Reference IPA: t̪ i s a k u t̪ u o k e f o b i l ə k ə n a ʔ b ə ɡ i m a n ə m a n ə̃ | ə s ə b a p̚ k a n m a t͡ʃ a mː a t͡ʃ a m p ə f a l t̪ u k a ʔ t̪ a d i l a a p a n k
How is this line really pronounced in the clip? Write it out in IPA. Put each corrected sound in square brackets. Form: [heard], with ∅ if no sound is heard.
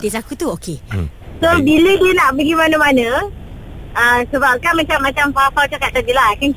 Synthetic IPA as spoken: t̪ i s a k u t̪ u o k e [s] o b i l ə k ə n a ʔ b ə ɡ i m a n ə m a n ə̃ | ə s ə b a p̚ k a n m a t͡ʃ a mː a t͡ʃ a m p [a] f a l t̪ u k a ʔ t̪ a d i l a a [k] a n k